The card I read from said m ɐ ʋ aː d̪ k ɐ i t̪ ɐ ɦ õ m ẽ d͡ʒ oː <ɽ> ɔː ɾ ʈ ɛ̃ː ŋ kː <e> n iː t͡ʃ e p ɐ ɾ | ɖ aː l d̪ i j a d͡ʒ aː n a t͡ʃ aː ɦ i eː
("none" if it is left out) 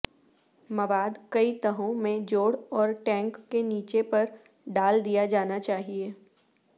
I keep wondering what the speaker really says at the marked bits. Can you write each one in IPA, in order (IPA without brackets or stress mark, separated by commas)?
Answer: ɽ, e